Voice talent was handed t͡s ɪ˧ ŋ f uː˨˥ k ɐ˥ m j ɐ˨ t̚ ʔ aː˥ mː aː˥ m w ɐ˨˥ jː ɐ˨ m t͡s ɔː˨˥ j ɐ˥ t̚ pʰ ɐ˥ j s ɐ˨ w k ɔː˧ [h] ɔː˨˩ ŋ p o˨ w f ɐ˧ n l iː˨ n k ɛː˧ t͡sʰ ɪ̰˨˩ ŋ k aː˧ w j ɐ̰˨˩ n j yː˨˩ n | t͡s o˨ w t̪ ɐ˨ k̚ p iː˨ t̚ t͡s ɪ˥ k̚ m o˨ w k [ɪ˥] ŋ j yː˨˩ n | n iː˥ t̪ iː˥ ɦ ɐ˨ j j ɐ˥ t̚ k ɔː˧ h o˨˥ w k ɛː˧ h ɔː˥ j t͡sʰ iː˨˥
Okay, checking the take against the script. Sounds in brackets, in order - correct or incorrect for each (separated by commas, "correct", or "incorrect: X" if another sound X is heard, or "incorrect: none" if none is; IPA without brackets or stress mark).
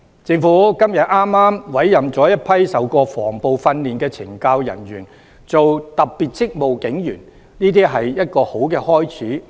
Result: incorrect: f, incorrect: ɪ˨˥